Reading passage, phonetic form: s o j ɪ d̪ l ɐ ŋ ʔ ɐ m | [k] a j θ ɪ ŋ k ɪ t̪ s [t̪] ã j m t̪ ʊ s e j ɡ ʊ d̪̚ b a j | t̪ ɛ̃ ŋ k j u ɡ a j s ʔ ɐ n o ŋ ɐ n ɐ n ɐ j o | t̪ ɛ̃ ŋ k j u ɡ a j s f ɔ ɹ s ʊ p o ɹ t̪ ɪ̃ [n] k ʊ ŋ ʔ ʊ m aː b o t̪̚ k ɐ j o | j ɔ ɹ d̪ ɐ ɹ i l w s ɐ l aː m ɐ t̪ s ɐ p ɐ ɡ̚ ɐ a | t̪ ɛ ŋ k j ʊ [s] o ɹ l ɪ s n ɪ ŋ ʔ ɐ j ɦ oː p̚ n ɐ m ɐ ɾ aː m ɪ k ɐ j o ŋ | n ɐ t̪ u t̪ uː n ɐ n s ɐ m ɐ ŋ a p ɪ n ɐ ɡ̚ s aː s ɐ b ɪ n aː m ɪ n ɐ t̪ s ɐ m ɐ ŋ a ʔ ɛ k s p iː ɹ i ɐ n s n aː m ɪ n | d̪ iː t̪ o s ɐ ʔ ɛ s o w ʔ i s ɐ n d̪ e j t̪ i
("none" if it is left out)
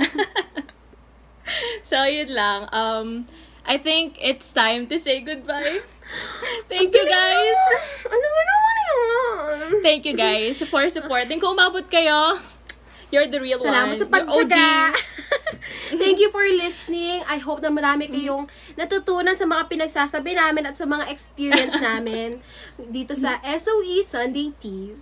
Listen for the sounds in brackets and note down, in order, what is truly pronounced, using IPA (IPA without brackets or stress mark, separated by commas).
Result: ʔ, t̪, ŋ, f